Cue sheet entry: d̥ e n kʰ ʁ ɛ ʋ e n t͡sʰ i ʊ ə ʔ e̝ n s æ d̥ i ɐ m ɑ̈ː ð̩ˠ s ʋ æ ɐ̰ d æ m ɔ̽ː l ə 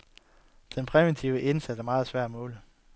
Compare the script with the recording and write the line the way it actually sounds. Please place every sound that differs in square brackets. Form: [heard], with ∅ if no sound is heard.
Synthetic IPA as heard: d̥ e n [pʰ] ʁ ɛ ʋ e n t͡sʰ i ʊ ə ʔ e̝ n s æ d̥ [æ] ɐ m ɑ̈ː ð̩ˠ s ʋ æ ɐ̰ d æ m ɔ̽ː l ə